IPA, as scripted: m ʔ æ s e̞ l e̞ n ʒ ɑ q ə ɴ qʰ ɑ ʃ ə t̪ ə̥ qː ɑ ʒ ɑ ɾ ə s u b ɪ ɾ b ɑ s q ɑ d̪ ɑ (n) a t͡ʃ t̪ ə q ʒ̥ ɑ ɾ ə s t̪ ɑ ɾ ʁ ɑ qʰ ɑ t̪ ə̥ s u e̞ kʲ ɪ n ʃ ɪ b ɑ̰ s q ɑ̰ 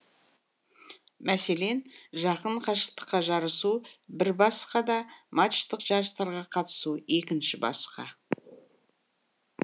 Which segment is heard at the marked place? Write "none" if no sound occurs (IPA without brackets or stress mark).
m